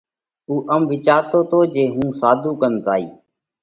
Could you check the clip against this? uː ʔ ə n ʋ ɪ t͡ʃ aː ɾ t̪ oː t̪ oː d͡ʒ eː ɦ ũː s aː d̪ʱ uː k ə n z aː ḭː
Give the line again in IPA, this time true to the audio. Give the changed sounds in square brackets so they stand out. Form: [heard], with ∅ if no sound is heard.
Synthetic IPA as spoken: uː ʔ ə [m] ʋ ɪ t͡ʃ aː ɾ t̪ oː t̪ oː d͡ʒ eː ɦ ũː s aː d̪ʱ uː k ə n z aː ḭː